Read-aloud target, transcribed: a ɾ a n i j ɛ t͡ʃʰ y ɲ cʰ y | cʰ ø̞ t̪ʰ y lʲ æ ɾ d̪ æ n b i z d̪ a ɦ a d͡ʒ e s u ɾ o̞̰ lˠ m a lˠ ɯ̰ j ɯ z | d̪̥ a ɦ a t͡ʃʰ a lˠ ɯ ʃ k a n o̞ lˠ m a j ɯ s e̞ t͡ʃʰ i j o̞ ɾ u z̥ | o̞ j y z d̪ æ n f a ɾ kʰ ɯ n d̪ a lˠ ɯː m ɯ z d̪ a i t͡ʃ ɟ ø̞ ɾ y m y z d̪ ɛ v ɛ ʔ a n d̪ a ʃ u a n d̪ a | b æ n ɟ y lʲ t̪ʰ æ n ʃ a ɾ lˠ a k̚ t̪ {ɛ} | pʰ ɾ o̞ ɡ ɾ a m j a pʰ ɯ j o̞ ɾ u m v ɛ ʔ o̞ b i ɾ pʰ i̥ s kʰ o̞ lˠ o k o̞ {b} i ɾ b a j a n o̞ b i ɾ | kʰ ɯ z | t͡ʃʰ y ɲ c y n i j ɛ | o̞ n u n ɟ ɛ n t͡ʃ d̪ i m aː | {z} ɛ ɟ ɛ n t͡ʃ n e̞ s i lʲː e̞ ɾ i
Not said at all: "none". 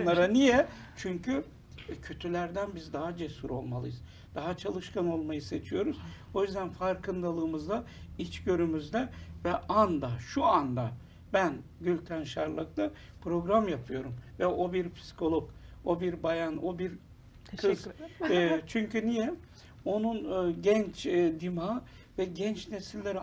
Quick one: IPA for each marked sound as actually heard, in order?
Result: a, b, v

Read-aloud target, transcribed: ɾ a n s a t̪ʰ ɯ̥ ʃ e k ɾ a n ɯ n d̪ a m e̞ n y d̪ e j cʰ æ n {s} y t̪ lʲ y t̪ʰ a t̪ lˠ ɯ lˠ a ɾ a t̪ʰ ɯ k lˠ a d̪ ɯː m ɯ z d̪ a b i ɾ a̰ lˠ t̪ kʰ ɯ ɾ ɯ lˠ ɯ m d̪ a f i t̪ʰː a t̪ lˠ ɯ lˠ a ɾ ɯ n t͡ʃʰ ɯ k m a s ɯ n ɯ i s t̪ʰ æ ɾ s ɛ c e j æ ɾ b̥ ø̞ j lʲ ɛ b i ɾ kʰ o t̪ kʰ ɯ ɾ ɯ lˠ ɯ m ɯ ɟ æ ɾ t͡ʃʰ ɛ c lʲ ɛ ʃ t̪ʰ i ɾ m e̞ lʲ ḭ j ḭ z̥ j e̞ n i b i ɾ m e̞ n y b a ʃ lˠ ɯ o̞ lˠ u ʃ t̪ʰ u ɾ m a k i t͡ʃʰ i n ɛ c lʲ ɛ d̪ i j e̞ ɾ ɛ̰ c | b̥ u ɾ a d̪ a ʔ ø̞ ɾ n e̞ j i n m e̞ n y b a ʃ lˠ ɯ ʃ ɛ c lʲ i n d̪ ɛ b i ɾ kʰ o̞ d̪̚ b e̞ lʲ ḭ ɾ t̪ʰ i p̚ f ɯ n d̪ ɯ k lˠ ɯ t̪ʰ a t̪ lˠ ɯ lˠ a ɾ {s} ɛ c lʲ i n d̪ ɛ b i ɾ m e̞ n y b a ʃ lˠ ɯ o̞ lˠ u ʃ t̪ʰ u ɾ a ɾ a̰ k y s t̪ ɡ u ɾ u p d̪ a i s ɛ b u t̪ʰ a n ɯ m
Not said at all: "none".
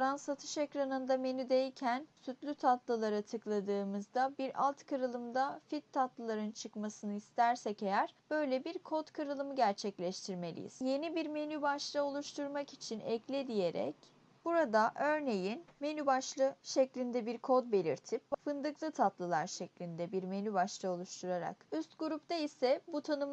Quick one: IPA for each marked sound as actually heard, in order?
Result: s, ʃ

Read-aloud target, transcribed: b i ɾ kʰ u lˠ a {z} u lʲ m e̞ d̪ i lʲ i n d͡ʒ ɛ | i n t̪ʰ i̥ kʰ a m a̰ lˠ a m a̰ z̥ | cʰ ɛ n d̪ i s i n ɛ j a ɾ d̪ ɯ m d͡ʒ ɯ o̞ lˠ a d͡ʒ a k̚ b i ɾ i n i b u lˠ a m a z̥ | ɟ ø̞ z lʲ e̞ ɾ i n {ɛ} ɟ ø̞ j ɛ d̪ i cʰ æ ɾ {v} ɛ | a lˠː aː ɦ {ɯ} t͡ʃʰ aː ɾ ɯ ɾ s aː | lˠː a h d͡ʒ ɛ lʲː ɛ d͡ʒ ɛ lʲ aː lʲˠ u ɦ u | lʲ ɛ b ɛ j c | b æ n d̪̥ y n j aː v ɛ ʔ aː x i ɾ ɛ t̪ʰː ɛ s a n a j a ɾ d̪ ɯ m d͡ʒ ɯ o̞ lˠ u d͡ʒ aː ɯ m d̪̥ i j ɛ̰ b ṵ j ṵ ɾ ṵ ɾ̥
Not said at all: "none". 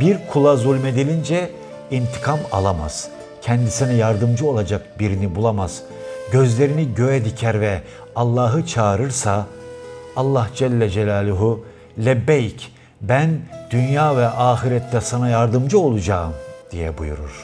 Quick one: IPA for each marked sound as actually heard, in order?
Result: z, i, v, ɯ

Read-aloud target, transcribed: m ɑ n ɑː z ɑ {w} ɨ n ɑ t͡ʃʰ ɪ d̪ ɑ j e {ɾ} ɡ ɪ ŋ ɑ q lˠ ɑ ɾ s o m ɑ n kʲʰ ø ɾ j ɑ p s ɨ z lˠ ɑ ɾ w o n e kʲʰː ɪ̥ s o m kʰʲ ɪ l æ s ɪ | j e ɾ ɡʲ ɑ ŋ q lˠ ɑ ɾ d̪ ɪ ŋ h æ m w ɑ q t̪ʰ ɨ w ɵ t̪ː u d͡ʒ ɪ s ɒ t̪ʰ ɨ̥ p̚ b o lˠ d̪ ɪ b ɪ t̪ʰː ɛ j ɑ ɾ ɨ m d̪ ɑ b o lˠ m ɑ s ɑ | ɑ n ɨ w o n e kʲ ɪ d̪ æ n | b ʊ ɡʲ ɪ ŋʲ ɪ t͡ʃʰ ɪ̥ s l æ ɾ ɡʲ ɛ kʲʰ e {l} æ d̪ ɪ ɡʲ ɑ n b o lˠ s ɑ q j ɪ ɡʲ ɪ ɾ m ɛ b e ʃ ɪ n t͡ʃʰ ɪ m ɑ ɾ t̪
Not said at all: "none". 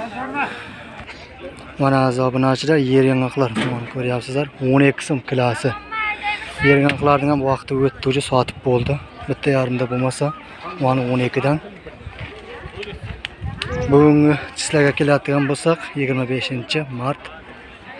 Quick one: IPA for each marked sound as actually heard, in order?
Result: b, ɾ, l

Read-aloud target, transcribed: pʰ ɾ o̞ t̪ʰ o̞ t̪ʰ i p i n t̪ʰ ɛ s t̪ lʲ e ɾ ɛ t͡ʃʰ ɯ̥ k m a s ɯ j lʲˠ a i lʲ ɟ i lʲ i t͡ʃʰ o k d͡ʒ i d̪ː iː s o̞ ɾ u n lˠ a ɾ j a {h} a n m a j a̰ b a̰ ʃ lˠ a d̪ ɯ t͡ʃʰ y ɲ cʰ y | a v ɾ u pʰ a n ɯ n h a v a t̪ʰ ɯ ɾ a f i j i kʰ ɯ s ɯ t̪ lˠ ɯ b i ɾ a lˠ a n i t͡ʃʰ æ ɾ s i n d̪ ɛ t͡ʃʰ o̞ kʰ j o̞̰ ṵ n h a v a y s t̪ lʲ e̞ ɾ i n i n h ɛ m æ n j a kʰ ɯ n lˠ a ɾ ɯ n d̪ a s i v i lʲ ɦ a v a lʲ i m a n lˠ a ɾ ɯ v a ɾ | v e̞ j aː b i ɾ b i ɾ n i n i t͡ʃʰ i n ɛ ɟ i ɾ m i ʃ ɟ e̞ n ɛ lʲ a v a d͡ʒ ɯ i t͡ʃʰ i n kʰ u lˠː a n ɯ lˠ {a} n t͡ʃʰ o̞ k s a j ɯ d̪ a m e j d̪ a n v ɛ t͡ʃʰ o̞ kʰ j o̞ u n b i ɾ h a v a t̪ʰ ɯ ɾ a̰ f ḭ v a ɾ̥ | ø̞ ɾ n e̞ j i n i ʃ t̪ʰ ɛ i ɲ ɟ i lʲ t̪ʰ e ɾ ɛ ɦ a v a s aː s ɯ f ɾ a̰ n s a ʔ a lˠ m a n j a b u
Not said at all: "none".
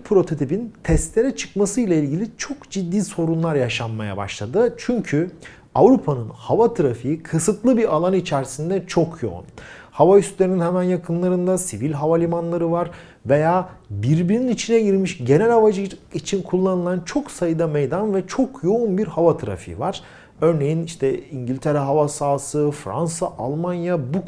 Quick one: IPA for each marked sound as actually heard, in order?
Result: ʃ, a

